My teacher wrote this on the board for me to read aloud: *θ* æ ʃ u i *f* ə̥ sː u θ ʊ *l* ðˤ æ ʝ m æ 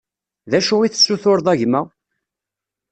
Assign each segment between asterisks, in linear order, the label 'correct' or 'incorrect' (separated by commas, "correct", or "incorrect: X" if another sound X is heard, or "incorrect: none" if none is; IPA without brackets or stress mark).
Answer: incorrect: ð, incorrect: θ, incorrect: ɾ